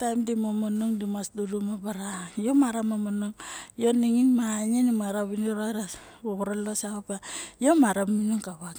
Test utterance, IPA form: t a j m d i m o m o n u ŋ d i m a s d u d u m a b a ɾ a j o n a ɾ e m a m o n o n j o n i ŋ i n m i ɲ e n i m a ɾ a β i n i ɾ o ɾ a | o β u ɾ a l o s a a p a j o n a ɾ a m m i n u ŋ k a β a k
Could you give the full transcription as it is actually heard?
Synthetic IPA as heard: t a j m d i m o m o n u ŋ d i m a s d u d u m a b a ɾ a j o m a ɾ a m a m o n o ŋ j o n i ŋ i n m a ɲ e n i m a ɾ a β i n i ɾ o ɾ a | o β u ɾ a l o s a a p a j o m a ɾ a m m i n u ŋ k a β a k

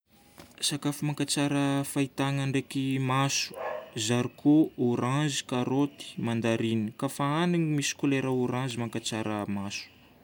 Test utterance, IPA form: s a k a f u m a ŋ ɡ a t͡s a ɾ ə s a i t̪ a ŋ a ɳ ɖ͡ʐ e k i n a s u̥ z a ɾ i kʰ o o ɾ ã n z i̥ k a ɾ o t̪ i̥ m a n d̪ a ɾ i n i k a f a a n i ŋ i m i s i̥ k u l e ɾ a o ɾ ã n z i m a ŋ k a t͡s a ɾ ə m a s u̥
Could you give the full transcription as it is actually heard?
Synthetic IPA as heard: s a k a f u m a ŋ k a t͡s a ɾ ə f a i t̪ a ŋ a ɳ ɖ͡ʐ e k i m a s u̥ z a ɾ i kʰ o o ɾ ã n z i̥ k a ɾ o t̪ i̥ m a n d̪ a ɾ i n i k a f a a n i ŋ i m i s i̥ k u l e ɾ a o ɾ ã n z i m a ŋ k a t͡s a ɾ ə m a s u̥

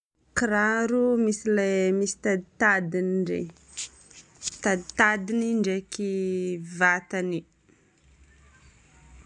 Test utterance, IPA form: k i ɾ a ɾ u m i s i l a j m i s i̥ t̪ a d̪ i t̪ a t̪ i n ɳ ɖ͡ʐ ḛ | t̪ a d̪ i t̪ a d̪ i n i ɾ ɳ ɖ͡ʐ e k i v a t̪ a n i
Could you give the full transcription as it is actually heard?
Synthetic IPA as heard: k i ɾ a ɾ u m i s i l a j m i s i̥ t̪ a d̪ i t̪ a d̪ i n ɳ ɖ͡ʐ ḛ | t̪ a d̪ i t̪ a d̪ i n i ɳ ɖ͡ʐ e k i v a t̪ a n i

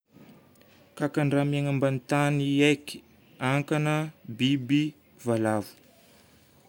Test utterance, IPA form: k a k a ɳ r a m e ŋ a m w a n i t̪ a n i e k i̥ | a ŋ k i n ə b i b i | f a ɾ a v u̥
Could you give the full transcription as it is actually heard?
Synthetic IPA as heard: k a k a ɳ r a m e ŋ a m b a n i t̪ a n i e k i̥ | a ŋ k a n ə b i b i | v a l a v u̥

